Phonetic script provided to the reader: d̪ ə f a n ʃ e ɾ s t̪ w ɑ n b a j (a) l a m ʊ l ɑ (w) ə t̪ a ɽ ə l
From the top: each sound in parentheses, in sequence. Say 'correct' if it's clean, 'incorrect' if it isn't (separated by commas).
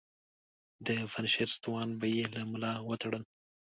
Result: incorrect, correct